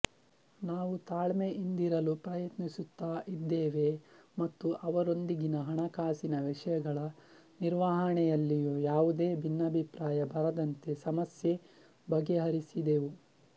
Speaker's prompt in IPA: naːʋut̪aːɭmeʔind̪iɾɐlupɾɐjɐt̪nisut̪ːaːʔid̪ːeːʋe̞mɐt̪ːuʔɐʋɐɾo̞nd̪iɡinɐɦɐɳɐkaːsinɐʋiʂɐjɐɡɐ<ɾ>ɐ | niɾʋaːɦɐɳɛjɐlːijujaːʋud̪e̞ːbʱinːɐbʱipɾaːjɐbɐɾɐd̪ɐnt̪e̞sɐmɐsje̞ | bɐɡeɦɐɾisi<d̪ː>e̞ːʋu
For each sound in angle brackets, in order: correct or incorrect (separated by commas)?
incorrect, incorrect